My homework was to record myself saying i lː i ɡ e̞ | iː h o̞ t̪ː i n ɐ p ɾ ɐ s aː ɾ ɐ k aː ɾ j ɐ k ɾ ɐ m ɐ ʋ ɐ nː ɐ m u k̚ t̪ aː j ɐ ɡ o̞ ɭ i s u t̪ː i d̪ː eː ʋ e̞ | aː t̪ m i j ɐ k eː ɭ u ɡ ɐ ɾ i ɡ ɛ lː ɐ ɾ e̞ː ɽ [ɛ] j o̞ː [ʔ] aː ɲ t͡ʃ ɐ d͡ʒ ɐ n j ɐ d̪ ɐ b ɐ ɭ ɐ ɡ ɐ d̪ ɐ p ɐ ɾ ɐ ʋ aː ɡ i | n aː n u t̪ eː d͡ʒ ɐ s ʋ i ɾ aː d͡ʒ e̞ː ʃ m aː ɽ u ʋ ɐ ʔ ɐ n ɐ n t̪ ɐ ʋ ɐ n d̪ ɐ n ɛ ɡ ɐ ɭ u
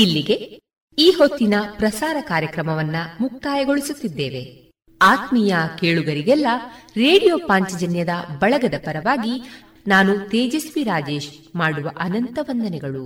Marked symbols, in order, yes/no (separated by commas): no, no